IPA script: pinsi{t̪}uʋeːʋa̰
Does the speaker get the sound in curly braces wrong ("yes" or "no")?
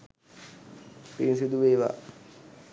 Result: yes